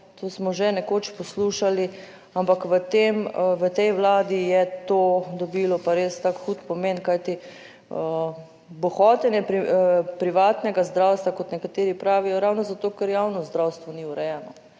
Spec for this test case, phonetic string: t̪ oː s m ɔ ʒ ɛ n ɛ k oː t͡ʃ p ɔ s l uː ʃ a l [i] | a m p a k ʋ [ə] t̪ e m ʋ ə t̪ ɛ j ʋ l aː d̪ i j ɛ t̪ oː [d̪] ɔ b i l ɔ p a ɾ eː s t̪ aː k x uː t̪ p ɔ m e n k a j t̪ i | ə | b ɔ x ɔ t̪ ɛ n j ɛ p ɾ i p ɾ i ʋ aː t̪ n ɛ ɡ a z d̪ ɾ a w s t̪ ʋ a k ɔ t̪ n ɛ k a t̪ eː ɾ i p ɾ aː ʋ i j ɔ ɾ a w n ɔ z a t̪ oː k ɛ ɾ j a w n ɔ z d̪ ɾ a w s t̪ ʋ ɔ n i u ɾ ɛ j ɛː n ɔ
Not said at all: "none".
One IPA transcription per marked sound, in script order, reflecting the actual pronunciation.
i, ə, d̪

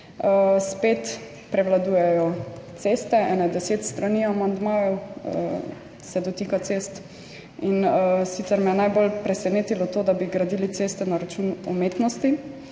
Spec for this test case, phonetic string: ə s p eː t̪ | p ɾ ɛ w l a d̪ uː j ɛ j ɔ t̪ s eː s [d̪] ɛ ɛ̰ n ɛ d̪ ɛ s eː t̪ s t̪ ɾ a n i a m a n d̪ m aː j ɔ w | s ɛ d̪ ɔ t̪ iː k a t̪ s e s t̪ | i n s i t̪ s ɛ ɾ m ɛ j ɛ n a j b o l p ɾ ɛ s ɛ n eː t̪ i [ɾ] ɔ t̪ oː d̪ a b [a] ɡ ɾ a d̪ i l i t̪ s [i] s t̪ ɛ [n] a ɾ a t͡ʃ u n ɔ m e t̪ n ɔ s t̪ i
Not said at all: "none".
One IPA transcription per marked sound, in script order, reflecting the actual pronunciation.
t̪, l, i, e, n

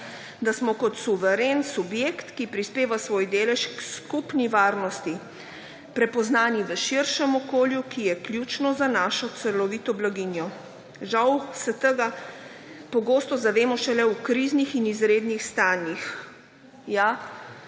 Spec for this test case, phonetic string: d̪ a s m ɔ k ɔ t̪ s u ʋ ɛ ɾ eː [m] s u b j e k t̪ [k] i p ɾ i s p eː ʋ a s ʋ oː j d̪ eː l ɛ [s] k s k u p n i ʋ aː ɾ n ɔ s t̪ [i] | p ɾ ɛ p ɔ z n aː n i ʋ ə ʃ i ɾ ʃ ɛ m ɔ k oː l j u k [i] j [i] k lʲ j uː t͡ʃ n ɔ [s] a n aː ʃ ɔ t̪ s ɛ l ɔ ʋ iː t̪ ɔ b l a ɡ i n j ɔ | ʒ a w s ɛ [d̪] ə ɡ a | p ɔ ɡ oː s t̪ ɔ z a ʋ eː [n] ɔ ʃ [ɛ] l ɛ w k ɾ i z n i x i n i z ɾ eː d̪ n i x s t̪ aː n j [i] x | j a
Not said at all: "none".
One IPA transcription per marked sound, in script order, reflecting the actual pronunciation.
n, k, ʃ, i, i, ɛ, z, t̪, m, ɛ, i

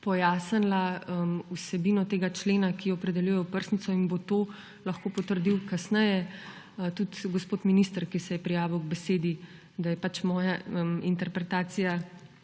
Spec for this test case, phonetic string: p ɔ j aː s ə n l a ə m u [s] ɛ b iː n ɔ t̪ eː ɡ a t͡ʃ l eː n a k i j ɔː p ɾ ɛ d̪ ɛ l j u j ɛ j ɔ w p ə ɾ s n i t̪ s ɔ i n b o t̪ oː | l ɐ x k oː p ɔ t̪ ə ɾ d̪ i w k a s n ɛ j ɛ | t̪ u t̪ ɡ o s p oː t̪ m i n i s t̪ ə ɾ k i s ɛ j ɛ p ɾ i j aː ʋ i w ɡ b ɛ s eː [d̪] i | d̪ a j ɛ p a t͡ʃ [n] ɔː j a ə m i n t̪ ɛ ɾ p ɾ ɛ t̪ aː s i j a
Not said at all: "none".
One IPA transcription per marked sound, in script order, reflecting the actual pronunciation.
s, d̪, m

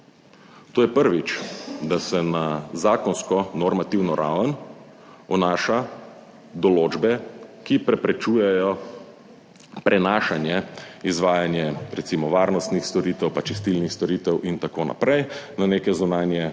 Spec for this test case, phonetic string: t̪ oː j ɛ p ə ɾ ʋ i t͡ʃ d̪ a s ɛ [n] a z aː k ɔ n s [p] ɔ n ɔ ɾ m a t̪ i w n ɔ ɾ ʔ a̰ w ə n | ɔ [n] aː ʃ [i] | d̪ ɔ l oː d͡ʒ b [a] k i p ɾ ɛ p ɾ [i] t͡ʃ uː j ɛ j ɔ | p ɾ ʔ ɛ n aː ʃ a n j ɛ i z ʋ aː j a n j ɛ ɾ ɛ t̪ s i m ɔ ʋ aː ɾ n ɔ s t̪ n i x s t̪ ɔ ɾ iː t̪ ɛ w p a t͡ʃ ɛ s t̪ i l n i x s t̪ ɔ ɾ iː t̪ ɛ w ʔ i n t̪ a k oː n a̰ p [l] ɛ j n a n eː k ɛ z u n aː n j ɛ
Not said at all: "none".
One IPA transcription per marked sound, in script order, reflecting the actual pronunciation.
n, k, n, a, ɛ, ɛ, ɾ

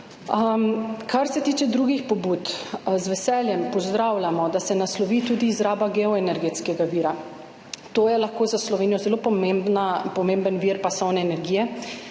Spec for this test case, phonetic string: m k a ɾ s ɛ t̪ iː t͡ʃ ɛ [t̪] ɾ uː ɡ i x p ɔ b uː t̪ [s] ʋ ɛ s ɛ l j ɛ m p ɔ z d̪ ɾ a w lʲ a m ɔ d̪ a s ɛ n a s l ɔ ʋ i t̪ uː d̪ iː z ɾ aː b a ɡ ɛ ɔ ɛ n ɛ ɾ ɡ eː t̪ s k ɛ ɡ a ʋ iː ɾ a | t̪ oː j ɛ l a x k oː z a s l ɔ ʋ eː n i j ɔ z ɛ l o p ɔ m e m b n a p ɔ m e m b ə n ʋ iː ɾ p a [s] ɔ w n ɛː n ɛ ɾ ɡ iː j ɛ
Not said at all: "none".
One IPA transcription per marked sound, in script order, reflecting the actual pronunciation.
d̪, z, s

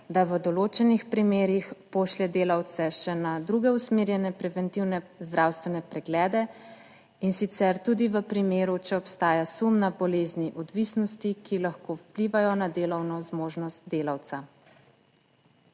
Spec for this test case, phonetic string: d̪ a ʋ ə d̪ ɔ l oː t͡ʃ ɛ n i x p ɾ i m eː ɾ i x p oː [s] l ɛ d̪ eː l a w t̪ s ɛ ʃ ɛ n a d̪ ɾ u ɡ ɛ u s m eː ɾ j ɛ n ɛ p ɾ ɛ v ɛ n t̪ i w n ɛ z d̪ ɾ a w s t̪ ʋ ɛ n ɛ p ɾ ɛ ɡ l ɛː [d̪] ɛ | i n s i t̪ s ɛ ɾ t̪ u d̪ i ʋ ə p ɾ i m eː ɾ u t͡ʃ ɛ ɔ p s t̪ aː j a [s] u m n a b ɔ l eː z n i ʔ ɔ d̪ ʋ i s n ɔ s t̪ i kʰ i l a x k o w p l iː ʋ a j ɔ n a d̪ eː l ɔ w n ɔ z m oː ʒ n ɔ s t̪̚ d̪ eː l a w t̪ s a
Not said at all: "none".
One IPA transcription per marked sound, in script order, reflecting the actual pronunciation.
ʃ, d̪, s

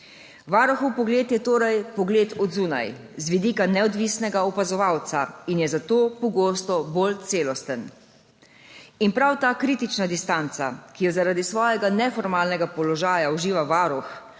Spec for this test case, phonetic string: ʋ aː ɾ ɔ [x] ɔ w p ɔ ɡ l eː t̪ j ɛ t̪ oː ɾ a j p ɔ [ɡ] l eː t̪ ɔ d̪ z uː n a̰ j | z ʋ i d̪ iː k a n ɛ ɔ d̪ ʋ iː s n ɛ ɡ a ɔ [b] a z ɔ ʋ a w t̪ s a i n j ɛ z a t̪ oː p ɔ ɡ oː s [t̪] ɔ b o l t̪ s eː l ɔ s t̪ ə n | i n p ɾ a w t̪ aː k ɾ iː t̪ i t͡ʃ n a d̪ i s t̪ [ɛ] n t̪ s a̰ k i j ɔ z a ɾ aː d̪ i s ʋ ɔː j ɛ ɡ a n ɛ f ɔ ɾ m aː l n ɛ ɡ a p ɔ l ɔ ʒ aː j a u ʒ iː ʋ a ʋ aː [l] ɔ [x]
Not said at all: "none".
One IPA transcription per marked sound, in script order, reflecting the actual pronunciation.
x, ɡ, p, t̪, a, ɾ, x

